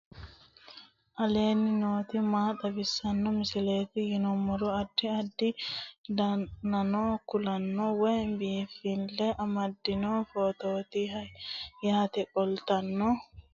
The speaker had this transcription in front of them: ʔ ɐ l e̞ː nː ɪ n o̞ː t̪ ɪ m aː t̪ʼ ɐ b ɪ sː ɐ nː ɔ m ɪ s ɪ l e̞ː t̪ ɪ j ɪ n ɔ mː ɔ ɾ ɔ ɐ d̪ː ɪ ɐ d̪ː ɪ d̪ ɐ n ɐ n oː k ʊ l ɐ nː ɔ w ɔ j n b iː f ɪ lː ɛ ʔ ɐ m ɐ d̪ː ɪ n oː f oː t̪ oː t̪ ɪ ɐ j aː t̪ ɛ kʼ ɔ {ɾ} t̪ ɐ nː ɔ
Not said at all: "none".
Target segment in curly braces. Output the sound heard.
l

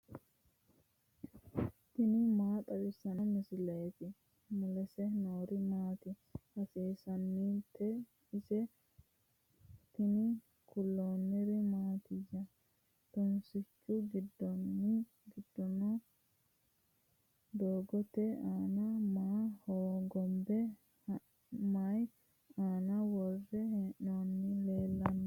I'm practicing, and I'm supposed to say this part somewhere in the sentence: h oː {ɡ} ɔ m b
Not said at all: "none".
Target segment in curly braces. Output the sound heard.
ɡ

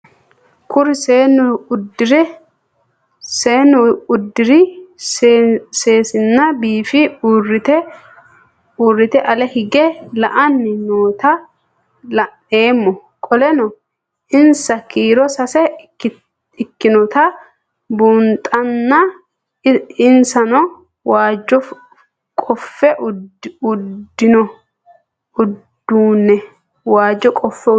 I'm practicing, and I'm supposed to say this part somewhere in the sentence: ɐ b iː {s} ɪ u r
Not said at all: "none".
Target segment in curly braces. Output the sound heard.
f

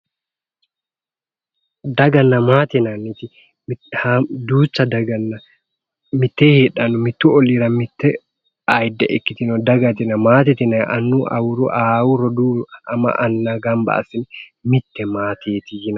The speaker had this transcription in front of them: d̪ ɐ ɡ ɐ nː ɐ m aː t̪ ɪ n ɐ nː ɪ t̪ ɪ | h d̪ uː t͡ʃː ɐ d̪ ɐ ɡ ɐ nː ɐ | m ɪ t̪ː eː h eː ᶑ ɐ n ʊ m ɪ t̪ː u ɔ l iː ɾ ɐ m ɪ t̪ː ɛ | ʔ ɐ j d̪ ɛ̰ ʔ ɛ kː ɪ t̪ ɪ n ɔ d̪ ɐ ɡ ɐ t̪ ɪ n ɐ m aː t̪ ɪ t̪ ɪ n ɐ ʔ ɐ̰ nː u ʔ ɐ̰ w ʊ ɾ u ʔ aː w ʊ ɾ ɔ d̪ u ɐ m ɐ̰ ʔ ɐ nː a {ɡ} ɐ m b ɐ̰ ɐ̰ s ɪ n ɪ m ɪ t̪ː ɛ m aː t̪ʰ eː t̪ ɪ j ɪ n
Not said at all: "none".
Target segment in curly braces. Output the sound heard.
ɡ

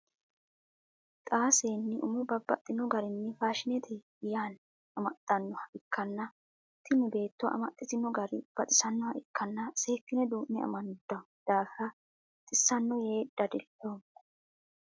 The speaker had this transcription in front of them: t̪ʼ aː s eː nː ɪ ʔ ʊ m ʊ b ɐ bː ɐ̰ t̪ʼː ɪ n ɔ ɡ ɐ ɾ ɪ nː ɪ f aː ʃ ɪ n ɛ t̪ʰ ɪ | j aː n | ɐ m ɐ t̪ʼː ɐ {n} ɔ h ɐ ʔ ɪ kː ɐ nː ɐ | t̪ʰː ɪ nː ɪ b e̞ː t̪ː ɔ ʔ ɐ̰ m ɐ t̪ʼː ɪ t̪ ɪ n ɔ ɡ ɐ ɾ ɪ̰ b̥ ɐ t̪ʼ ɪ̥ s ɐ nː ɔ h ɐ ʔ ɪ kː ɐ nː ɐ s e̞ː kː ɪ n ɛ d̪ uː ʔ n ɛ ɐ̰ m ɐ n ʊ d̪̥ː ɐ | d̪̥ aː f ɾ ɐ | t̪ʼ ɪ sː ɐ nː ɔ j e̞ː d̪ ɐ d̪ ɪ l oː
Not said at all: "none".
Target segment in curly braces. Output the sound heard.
nː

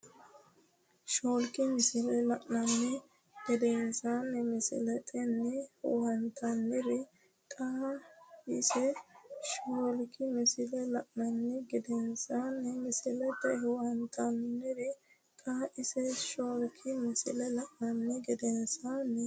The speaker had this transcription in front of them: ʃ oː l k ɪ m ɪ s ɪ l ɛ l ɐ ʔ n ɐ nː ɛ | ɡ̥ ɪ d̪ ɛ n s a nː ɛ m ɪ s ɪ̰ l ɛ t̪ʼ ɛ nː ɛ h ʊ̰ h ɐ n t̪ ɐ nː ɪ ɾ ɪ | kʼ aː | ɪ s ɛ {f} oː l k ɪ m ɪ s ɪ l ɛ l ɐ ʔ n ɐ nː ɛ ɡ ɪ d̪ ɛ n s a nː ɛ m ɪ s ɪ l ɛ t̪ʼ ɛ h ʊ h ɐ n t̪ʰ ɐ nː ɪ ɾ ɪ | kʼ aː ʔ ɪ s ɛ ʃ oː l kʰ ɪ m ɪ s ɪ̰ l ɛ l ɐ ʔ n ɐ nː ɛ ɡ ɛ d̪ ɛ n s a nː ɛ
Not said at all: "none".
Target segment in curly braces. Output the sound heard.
ʃ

